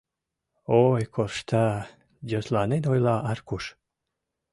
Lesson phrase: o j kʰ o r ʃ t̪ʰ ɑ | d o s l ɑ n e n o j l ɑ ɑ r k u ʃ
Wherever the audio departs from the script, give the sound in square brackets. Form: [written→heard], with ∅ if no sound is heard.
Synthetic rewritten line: o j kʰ o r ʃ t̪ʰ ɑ | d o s l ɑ n e n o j l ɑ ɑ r k u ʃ